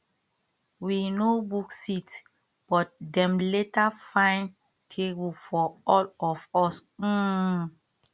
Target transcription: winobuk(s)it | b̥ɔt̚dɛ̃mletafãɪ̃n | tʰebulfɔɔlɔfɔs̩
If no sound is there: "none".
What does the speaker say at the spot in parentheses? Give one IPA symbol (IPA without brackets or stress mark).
s